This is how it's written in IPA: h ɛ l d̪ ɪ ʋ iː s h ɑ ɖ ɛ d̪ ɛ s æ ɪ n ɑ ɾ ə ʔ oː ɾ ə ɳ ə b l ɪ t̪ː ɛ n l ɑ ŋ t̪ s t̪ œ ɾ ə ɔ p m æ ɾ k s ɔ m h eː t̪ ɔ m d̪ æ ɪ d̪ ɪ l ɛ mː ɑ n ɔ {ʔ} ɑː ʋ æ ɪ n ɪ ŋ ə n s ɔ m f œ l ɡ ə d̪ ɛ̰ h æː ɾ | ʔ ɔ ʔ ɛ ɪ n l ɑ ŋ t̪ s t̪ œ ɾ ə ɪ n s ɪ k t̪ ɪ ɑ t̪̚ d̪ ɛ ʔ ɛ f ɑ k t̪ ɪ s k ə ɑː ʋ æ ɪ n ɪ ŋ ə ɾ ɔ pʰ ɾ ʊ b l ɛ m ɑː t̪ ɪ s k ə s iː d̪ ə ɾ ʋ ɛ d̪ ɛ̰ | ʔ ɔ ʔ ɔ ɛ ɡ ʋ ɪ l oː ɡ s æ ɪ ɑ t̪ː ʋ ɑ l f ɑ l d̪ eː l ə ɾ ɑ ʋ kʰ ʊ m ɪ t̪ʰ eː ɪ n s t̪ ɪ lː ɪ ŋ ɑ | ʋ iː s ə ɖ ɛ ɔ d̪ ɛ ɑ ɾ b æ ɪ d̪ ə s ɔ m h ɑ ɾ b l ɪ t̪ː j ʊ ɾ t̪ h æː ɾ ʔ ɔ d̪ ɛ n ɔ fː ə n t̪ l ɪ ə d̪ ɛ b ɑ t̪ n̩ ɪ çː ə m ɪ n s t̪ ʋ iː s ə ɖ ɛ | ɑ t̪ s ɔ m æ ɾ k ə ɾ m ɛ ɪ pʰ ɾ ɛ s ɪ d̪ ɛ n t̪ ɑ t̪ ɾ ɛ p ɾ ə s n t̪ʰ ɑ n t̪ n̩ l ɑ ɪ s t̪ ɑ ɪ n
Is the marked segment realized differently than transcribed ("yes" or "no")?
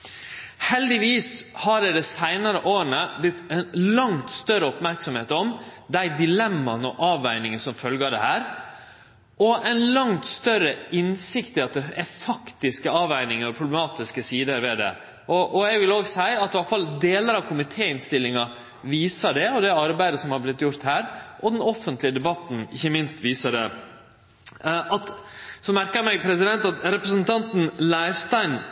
no